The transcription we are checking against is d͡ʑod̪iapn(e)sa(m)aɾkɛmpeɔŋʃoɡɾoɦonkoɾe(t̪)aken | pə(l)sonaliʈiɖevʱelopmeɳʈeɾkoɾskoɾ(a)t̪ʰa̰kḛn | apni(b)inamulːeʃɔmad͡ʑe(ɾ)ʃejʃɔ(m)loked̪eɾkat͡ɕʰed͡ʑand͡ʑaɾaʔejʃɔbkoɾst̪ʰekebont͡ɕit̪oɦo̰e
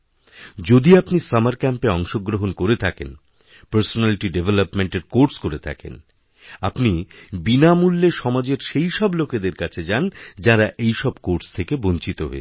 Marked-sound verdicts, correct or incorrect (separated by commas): incorrect, correct, incorrect, incorrect, incorrect, correct, correct, incorrect